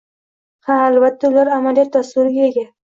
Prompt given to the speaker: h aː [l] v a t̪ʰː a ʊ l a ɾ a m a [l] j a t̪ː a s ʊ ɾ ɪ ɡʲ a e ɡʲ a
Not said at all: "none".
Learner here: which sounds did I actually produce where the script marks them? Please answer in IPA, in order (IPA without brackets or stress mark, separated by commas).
l, l